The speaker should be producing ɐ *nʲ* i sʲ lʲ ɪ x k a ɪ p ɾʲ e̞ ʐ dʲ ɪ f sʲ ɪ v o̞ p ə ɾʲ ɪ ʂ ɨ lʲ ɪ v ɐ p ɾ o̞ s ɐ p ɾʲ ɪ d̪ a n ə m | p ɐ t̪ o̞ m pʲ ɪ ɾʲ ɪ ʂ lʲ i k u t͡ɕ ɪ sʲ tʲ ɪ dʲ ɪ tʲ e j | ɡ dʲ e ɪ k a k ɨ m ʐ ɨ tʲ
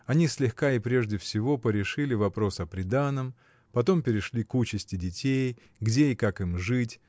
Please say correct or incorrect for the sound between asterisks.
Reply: correct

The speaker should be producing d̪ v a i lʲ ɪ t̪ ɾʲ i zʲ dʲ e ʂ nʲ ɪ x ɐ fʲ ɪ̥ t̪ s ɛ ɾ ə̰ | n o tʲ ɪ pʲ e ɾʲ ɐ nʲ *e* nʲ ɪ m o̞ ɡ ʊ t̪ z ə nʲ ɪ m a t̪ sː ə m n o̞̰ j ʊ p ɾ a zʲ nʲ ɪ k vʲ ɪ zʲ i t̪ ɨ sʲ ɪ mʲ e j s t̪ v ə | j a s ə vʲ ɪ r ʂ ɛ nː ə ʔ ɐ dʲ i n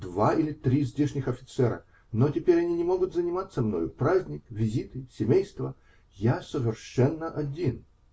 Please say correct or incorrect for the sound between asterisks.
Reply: incorrect: i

